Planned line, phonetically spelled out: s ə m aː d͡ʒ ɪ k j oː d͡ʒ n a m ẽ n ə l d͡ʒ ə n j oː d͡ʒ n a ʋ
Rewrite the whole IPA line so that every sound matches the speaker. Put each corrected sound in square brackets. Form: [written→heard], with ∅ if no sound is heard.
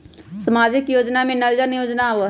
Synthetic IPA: s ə m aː d͡ʒ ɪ k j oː d͡ʒ n a m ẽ n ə l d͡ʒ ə n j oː d͡ʒ n a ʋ